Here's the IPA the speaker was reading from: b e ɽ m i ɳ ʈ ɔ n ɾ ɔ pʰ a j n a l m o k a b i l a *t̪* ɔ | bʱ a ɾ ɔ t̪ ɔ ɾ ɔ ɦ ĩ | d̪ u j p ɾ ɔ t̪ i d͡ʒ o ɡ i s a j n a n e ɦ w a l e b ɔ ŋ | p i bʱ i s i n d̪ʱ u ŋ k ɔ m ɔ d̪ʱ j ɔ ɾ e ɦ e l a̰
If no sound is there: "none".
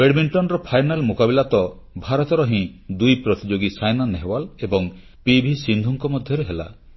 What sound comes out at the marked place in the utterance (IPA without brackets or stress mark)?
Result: t̪